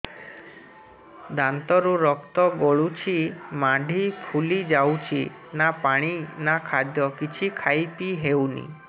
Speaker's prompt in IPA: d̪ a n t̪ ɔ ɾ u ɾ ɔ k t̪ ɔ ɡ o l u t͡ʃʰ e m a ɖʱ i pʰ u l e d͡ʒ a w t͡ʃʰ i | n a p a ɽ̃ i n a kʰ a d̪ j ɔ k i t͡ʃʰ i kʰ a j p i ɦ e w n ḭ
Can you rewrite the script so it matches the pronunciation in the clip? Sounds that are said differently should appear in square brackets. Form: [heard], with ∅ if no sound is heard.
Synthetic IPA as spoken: d̪ a n t̪ ɔ ɾ u ɾ ɔ k t̪ ɔ ɡ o [ɭ] u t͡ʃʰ [i] m a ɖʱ i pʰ u l [i] d͡ʒ a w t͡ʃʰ i | n a p a ɽ̃ i n a kʰ a d̪ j ɔ k i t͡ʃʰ i kʰ a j p i ɦ e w n ḭ